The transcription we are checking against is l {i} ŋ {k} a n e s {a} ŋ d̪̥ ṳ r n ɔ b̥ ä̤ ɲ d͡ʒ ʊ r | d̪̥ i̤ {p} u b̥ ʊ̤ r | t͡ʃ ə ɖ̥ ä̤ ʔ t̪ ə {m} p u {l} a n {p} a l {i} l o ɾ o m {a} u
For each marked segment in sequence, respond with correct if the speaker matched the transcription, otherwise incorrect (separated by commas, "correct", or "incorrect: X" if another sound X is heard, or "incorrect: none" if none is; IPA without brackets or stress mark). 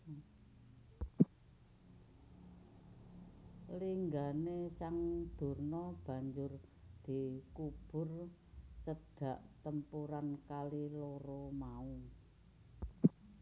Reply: correct, incorrect: ɡ, correct, incorrect: k, correct, incorrect: ɾ, incorrect: k, correct, correct